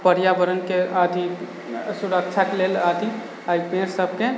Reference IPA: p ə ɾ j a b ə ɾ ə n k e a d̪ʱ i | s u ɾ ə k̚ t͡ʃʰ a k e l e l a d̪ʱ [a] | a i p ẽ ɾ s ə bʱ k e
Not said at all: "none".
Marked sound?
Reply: i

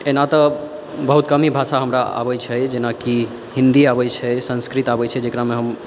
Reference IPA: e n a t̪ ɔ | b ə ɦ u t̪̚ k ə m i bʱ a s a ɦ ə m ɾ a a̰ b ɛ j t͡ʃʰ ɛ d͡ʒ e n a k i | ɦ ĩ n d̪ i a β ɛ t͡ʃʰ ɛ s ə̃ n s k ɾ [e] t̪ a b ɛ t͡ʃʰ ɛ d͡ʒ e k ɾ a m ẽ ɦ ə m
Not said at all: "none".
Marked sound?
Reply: i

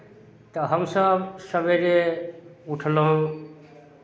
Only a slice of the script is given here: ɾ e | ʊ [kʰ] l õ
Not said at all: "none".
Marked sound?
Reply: ʈʰ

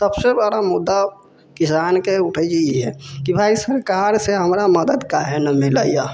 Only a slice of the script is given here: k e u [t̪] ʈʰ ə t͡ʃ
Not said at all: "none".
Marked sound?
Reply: none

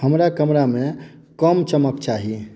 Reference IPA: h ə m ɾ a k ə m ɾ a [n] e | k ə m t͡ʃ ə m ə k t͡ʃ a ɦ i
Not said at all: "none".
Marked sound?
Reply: m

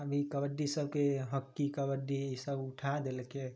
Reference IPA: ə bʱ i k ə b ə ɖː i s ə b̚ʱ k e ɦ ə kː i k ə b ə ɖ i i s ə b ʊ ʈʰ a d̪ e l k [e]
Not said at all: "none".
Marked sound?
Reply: e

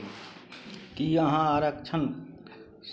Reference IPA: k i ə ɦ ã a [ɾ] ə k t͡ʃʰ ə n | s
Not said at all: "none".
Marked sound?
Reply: ɾ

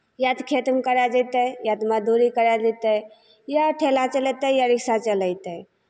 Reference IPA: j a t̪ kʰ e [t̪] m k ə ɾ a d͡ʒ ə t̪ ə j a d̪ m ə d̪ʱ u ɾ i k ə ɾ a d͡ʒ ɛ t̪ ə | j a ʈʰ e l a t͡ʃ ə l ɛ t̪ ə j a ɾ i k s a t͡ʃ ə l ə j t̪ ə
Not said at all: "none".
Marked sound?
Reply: t̪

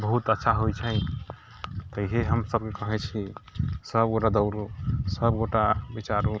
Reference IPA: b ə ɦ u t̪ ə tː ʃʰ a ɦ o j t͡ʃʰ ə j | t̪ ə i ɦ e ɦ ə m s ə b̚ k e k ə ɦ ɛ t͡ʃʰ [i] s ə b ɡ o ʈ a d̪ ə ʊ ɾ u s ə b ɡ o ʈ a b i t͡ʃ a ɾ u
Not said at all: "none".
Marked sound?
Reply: i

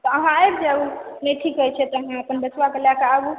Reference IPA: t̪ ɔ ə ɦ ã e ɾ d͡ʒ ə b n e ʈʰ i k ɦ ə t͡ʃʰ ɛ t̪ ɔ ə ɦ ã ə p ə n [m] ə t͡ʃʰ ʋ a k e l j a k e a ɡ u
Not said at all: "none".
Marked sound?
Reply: b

